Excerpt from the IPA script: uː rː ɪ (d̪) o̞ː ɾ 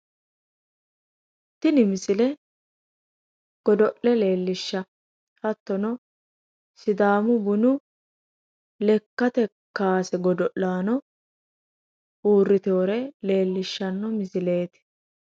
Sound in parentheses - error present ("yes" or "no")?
yes